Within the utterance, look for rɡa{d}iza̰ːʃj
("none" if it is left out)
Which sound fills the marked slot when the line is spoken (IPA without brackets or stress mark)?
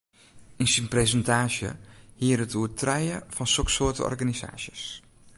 n